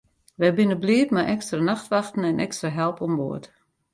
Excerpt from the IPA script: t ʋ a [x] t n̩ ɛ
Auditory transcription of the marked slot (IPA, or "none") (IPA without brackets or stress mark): x